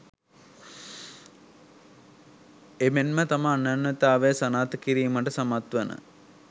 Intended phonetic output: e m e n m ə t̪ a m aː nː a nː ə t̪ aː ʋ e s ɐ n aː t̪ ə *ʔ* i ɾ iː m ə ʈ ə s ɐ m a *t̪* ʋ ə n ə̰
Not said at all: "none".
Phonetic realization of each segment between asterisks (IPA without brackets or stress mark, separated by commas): k, t̪